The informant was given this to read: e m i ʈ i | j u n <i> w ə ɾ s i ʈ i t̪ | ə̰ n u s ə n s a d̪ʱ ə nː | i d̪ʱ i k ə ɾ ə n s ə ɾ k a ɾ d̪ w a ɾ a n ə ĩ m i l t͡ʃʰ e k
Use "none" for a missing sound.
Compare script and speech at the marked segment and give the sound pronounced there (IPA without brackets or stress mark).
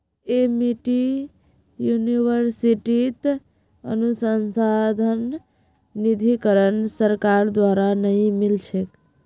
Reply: i